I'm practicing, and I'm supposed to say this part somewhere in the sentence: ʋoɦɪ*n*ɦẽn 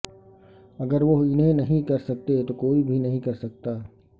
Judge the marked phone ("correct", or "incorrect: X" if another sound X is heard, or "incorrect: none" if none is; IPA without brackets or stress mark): correct